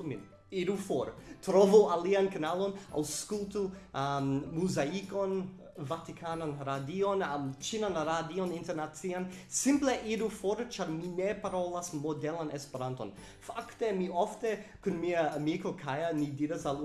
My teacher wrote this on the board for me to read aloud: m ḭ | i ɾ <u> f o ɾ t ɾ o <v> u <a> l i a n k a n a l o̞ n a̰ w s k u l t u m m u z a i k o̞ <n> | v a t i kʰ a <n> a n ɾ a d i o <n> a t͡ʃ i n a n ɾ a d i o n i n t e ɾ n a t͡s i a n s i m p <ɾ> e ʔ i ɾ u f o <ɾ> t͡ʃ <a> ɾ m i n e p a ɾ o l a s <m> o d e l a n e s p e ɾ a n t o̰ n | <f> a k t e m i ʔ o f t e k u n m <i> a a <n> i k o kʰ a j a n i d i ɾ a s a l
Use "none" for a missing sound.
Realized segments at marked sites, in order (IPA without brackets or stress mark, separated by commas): u, v, a, n, n, n, l, ɾ, a, m, f, i, m